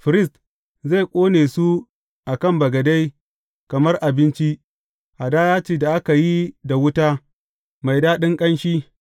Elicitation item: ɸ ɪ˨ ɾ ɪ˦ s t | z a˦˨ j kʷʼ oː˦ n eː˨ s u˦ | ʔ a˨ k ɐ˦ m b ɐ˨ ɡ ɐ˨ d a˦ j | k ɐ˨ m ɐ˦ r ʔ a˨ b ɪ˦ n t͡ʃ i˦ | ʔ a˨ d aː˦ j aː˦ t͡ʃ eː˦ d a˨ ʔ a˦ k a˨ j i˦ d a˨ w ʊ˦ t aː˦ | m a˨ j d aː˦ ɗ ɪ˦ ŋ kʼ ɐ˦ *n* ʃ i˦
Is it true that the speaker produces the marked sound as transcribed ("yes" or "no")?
yes